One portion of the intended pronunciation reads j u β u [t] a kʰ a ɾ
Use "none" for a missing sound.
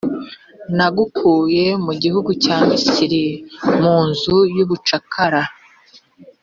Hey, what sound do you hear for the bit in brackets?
t͡ʃ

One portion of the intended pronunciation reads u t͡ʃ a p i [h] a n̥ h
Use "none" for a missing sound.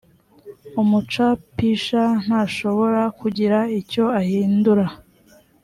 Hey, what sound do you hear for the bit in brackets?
ʃ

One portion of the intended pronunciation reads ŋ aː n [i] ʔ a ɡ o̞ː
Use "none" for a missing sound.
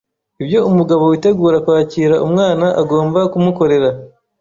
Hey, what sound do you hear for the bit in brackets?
a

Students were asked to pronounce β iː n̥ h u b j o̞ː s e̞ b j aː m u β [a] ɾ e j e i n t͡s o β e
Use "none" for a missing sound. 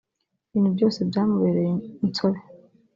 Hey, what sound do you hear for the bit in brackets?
e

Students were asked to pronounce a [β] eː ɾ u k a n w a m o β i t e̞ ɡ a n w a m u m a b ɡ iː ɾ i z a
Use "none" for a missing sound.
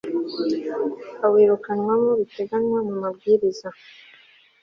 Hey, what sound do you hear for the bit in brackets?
w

